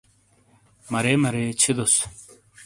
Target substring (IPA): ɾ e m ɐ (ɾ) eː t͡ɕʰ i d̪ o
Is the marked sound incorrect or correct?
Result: correct